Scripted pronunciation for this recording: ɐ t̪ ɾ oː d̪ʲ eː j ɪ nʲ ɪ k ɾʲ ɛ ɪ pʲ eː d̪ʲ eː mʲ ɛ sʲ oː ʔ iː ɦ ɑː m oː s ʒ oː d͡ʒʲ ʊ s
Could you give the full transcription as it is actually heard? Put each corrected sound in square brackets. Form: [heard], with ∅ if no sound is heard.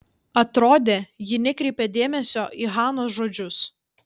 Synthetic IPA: ɐ t̪ ɾ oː d̪ʲ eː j ɪ nʲ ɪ k ɾʲ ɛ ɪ pʲ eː d̪ʲ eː mʲ ɛ sʲ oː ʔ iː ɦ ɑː [n] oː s ʒ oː d͡ʒʲ ʊ s